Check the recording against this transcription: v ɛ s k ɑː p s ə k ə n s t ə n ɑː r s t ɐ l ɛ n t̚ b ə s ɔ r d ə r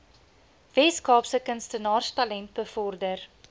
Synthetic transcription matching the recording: v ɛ s k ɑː p s ə k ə n s t ə n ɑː r s t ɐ l ɛ n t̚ b ə f ɔ r d ə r